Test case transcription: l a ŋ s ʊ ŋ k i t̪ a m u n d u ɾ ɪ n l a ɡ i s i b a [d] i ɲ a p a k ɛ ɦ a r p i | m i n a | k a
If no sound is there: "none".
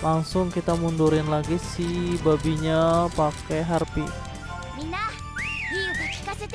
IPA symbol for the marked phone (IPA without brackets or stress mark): b